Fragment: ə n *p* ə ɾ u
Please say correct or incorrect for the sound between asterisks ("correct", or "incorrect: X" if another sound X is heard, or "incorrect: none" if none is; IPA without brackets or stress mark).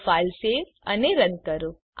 incorrect: k